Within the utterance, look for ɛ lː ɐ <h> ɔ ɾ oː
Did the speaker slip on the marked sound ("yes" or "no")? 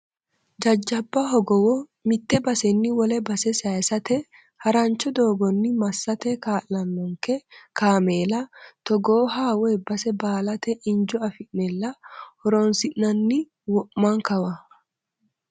no